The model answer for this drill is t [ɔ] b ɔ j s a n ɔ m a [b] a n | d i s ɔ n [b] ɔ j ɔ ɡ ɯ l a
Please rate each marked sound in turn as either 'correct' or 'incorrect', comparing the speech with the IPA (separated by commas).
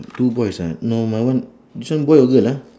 incorrect, incorrect, correct